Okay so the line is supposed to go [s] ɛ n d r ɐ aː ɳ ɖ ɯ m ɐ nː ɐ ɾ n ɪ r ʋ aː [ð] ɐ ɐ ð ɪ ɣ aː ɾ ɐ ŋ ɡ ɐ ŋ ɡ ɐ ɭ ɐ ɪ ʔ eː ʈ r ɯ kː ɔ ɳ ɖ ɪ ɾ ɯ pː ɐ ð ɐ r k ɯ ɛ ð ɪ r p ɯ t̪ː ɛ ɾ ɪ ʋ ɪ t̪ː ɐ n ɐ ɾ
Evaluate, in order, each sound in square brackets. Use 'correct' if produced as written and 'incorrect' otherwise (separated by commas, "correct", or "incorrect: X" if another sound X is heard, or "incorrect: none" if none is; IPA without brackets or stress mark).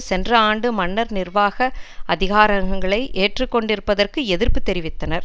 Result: correct, incorrect: ɣ